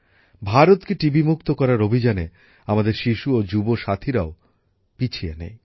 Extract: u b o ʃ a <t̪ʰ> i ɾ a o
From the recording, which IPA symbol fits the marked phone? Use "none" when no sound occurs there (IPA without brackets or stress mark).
t̪ʰ